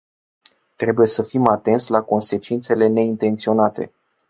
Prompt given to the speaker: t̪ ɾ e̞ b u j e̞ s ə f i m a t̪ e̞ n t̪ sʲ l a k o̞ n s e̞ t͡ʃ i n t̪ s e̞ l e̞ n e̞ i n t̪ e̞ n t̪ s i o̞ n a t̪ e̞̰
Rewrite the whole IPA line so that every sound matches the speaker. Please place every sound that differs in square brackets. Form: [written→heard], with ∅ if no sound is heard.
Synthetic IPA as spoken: t̪ ɾ e̞ b u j e̞ s ə f i m a t̪ e̞ n t̪ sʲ l a k o̞ n s e̞ t͡ʃ i n t̪ s e̞ l e̞ n e̞ i n t̪ e̞ n t̪ s i o̞ n a t̪ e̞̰